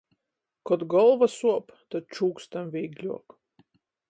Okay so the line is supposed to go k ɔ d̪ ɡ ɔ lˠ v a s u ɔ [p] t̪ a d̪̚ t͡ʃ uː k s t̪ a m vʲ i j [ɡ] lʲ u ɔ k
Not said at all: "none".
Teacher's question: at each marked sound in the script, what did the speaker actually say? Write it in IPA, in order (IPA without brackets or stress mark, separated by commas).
p, ɡ